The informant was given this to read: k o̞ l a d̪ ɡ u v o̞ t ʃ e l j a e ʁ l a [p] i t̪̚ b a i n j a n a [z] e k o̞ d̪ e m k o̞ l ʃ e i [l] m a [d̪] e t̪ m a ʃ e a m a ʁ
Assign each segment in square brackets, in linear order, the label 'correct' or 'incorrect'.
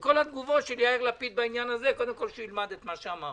correct, correct, correct, correct

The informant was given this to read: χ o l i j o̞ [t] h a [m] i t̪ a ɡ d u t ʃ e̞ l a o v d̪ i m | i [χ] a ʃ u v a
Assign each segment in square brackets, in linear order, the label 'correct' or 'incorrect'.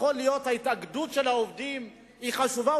correct, incorrect, correct

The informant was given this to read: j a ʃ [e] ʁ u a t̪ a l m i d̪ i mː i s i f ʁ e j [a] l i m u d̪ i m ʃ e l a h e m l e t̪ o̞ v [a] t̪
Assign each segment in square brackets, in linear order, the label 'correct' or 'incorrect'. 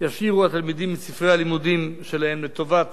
incorrect, correct, correct

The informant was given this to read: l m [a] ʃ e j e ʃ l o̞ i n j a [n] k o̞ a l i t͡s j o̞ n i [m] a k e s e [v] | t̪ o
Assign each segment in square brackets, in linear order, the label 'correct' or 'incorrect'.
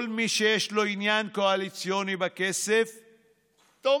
incorrect, correct, incorrect, incorrect

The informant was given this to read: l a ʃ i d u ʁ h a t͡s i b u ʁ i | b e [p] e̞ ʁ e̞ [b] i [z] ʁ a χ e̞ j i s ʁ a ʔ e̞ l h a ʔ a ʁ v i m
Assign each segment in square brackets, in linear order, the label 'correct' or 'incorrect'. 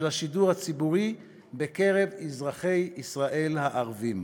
incorrect, incorrect, correct

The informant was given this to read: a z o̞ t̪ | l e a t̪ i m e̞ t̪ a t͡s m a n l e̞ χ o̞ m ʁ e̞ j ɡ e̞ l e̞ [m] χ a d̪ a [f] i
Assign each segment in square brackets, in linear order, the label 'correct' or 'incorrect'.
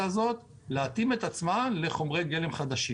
correct, incorrect

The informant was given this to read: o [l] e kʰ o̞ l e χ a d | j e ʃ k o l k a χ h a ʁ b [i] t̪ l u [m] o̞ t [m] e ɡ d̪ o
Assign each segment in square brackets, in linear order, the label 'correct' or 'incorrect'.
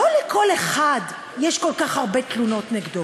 correct, incorrect, incorrect, incorrect

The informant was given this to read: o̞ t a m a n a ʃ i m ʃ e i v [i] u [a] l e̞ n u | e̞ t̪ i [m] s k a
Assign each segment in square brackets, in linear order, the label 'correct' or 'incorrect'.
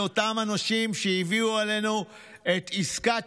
correct, correct, incorrect

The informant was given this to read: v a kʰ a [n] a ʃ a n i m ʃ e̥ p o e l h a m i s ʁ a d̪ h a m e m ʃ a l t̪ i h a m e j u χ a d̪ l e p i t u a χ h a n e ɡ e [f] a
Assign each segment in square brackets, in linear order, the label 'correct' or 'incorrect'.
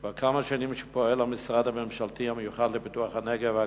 incorrect, incorrect

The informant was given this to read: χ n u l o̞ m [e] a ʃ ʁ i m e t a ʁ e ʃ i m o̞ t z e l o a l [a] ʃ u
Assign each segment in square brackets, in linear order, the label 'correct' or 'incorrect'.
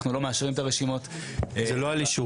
correct, incorrect

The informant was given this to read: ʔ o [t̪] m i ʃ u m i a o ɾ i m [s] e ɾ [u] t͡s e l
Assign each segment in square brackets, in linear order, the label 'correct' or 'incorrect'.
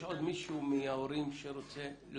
incorrect, incorrect, incorrect

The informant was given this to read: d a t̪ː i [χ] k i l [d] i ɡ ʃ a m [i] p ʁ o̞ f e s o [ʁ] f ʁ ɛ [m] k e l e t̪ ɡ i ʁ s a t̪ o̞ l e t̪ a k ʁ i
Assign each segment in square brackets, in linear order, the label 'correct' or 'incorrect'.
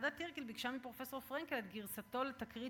incorrect, incorrect, correct, correct, incorrect

